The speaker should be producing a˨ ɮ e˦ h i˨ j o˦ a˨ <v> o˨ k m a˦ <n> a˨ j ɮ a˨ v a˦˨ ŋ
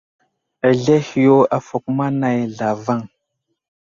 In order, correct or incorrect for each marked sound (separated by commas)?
incorrect, correct